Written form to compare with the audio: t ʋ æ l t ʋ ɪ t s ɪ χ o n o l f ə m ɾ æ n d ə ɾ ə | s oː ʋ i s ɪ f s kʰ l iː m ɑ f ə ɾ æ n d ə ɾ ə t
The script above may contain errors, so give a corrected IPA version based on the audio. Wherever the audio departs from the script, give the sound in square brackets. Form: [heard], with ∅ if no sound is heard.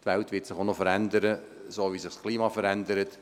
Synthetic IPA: t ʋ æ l t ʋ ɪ t s ɪ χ o n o [∅] f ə [∅] ɾ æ n d ə ɾ ə | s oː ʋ i s ɪ [χ] s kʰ l iː m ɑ f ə ɾ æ n d ə ɾ ə t

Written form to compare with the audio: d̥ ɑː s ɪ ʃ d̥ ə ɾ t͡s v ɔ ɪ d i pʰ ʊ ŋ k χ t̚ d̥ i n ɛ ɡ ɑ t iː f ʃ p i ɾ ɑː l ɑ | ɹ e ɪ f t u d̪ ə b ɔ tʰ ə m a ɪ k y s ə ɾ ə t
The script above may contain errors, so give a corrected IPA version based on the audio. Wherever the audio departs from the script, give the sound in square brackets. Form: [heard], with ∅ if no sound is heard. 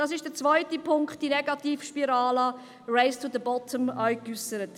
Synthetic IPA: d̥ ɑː s ɪ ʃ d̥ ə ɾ t͡s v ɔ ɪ [t] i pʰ ʊ ŋ k χ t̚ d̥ i n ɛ ɡ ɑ t iː f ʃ p i ɾ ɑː l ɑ | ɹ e ɪ [s] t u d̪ ə b ɔ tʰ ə m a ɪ k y s ə ɾ ə t

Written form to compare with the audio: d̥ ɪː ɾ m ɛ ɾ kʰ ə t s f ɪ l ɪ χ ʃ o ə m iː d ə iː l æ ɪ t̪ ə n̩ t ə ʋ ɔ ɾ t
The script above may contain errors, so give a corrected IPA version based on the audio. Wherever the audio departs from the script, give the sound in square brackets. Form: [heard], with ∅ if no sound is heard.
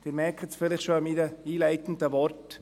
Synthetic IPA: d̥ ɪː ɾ m ɛ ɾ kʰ ə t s f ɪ l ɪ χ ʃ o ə m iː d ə iː l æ ɪ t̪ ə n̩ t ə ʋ ɔ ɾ t

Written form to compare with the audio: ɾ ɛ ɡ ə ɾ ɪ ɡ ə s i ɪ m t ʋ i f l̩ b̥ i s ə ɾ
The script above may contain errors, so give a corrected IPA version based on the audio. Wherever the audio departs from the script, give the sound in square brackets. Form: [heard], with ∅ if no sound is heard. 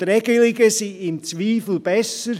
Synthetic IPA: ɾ ɛ ɡ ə [l] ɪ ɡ ə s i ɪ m [t͡s] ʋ [iː] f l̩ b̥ [ɛ] s ə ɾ

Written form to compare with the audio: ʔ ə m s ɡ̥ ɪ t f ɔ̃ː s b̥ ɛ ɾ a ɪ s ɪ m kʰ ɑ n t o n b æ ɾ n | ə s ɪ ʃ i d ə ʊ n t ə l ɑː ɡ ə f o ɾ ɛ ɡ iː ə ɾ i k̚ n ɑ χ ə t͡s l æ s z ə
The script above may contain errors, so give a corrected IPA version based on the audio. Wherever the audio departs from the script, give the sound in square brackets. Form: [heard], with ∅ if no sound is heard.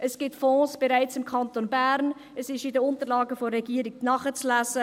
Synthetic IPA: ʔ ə [∅] s ɡ̥ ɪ t f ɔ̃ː s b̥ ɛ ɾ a ɪ [t͡s] ɪ m kʰ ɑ n t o n b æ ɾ n | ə s ɪ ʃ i d ə ʊ n t ə l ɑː ɡ ə f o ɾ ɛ ɡ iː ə ɾ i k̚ n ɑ χ ə t͡s l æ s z ə

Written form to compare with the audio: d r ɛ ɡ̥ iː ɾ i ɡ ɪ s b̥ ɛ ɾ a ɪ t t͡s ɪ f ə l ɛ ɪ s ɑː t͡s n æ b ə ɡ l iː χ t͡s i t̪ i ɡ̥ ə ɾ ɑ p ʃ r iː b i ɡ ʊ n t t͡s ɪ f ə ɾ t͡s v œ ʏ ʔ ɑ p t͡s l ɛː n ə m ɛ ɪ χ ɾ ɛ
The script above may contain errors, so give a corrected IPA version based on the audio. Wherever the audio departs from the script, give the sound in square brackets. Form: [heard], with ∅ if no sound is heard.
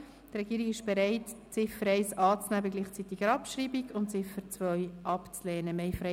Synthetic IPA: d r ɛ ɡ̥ iː ɾ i ɡ ɪ [ʃ] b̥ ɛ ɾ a ɪ t t͡s ɪ f ə [ɾ] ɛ ɪ s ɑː t͡s n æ b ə ɡ l iː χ t͡s i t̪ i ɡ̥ ə ɾ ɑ p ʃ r iː b i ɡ ʊ n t t͡s ɪ f ə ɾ t͡s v œ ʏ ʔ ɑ p t͡s l ɛː n ə m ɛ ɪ [f] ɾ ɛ

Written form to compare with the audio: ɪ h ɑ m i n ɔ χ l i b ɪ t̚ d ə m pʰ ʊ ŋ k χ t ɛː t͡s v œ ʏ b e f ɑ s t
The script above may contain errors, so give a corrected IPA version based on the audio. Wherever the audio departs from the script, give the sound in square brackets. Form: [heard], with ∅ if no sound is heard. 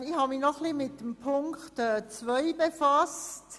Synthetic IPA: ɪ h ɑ m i n ɔ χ l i [m] ɪ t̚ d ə m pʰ ʊ ŋ k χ t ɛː t͡s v œ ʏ b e f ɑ s t

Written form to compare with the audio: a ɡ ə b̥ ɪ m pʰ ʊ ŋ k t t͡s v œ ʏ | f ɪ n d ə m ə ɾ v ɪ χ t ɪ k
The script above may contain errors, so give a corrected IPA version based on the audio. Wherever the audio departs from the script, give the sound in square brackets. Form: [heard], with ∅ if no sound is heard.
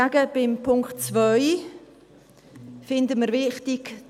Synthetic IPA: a ɡ ə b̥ ɪ m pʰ ʊ ŋ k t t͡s v œ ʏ | f ɪ n d ə m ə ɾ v ɪ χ t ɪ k

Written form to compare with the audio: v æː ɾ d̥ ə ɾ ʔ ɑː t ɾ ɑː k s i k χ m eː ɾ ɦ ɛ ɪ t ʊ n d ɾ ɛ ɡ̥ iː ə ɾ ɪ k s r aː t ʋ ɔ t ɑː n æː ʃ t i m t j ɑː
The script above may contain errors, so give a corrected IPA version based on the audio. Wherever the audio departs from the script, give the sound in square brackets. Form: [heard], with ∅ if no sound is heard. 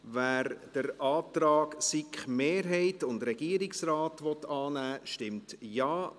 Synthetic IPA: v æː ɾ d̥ ə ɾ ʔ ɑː t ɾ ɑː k s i k χ m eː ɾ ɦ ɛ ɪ t ʊ n d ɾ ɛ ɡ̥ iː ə ɾ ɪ k s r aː t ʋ ɔ t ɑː n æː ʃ t [ɪ] m t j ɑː

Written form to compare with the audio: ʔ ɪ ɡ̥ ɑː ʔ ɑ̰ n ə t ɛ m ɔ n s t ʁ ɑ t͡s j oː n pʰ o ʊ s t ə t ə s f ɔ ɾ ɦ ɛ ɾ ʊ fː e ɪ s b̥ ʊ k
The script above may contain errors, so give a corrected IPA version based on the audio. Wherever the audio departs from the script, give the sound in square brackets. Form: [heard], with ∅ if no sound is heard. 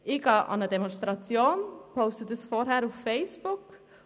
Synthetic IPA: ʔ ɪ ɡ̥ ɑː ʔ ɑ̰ n ə [d] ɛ m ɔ n s t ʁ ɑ t͡s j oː n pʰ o ʊ s t ə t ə s f ɔ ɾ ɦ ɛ ɾ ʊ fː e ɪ s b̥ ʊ k

